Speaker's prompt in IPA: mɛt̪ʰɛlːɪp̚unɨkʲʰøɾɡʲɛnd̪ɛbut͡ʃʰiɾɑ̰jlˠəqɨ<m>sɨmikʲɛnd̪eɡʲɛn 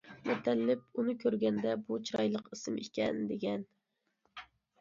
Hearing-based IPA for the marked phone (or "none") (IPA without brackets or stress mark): none